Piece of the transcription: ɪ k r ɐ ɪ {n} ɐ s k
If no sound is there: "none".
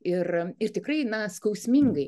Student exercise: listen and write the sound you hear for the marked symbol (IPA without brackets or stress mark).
n